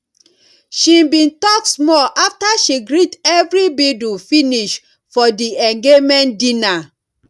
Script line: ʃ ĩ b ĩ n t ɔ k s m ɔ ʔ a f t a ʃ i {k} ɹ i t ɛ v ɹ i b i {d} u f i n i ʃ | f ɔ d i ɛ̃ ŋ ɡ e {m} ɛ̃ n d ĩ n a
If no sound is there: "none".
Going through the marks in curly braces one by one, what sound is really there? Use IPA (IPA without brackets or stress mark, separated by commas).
ɡ, d, m